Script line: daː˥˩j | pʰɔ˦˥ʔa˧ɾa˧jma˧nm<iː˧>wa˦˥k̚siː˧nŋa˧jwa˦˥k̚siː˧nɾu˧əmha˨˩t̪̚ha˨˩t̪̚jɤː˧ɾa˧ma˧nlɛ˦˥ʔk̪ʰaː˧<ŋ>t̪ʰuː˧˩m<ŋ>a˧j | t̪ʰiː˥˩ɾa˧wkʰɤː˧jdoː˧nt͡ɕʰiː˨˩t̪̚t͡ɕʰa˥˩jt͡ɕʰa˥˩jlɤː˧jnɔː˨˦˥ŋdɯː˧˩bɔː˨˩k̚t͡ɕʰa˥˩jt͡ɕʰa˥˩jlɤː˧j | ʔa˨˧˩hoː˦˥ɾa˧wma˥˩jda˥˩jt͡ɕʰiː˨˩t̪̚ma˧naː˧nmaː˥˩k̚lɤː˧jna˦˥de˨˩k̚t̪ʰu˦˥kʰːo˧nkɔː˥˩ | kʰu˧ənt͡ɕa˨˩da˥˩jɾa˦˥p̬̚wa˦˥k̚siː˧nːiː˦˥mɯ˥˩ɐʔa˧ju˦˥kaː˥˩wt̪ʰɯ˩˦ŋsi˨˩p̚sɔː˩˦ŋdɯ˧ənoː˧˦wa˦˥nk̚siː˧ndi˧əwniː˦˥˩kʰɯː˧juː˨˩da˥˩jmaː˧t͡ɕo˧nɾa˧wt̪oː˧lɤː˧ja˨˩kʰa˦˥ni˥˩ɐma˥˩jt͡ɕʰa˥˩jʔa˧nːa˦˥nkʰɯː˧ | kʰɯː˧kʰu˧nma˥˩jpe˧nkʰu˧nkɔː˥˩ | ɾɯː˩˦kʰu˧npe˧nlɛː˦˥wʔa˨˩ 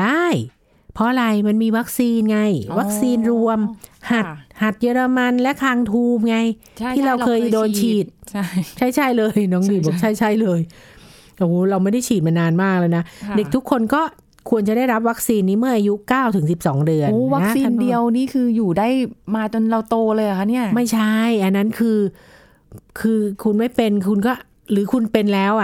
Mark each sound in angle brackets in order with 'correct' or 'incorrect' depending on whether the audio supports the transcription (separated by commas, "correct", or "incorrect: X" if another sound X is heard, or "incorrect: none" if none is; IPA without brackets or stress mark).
correct, correct, correct